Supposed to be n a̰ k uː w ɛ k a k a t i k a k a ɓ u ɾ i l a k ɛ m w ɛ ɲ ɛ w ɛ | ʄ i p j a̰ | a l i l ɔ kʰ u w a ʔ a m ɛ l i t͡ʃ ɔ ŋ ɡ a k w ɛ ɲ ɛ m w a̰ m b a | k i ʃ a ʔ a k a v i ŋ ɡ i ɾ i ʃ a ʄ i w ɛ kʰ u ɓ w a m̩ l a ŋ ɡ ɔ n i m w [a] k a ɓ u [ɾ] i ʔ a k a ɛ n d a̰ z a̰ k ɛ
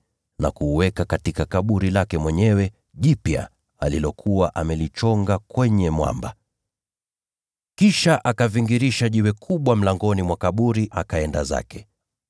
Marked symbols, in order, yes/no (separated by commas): yes, yes